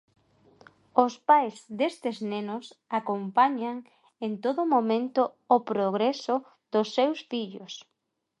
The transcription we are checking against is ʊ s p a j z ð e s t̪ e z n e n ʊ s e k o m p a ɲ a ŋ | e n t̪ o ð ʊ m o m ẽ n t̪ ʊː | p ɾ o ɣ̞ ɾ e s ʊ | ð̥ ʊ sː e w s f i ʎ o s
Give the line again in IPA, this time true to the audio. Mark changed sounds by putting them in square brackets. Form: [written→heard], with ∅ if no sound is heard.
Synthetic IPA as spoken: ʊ s p a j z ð e s t̪ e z n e n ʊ s [e→a] k o m p a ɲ a ŋ | e n t̪ o ð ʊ m o m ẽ n t̪ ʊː | p ɾ o ɣ̞ ɾ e s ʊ | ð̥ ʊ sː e w s f i ʎ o s